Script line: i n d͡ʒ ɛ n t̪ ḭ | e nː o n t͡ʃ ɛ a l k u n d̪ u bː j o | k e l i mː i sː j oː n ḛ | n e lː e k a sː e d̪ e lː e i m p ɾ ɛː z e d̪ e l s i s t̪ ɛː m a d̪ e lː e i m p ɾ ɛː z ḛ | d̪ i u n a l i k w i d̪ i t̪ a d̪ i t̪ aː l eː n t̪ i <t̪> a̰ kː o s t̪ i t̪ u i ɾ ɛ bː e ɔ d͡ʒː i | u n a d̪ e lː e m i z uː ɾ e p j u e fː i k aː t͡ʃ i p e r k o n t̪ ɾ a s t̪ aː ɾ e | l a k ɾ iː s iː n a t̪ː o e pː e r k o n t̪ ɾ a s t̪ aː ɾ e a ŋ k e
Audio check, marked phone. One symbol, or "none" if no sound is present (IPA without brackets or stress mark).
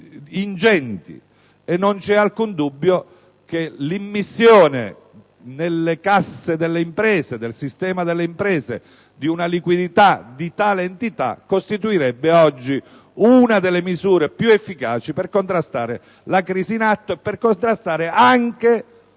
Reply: t̪